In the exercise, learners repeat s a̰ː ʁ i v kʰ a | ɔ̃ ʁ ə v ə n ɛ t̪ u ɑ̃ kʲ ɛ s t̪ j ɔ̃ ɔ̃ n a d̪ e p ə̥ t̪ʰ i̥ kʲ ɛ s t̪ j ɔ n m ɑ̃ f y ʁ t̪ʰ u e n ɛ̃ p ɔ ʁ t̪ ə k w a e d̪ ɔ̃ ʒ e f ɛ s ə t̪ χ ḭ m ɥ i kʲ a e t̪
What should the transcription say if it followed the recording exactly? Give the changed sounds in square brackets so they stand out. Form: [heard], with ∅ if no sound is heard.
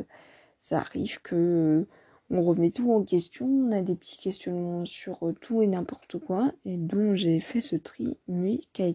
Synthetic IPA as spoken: s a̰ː ʁ i v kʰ [ə] | ɔ̃ ʁ ə v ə n ɛ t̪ u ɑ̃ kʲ ɛ s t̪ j ɔ̃ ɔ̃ n a d̪ e p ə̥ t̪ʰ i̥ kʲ ɛ s t̪ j ɔ n m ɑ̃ [s] y ʁ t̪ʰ u e n ɛ̃ p ɔ ʁ t̪ ə k w a e d̪ ɔ̃ ʒ e f ɛ s ə t̪ χ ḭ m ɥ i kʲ a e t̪